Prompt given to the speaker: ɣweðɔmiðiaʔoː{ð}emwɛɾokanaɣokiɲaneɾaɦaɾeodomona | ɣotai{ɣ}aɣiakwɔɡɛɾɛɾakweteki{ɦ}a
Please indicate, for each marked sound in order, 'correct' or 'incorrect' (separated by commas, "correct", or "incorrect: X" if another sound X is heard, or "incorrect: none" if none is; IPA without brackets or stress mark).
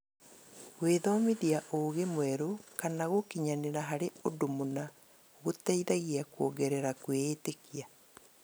incorrect: ɣ, incorrect: ð, incorrect: none